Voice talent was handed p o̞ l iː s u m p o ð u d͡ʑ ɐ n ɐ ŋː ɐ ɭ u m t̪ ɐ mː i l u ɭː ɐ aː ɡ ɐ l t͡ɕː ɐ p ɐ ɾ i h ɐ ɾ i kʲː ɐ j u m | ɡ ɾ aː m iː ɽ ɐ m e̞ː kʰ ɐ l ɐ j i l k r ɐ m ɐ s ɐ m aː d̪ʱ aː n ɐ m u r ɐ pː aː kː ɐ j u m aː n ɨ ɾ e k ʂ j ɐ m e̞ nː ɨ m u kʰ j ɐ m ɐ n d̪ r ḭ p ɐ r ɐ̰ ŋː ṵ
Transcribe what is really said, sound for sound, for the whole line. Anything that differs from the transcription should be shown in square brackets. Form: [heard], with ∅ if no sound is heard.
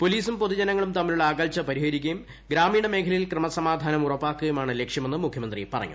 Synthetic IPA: p o̞ l iː s u m p o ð u d͡ʑ ɐ n ɐ ŋː ɐ ɭ u m t̪ ɐ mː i l u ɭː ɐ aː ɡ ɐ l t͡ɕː ɐ p ɐ ɾ i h ɐ ɾ i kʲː ɐ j u m | ɡ ɾ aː m iː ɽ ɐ m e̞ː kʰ ɐ l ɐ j i l k r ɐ m ɐ s ɐ m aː d̪ʱ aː n ɐ m u r ɐ pː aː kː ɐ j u m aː [ɳ] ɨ [l] e k ʂ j ɐ m e̞ nː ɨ m u kʰ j ɐ m ɐ n d̪ r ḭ p ɐ r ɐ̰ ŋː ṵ